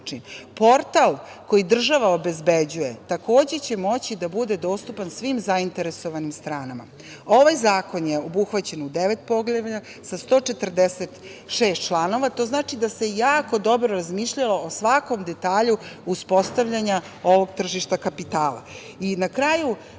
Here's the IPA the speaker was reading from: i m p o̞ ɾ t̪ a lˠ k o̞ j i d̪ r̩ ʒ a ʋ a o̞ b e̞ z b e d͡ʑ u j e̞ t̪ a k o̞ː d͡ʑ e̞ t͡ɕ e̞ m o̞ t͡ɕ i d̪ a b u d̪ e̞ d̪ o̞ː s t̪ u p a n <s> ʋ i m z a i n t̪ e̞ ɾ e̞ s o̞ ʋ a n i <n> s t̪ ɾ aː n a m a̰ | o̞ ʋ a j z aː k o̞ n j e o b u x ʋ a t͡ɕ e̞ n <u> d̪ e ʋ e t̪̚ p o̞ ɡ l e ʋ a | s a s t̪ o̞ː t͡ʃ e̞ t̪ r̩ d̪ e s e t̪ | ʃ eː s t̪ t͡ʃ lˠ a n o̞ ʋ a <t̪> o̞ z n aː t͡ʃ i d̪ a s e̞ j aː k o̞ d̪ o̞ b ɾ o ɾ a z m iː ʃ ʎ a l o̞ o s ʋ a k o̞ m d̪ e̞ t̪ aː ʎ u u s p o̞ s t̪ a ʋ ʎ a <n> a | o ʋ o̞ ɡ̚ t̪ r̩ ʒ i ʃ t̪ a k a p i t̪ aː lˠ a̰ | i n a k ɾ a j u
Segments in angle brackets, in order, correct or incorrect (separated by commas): correct, incorrect, correct, correct, incorrect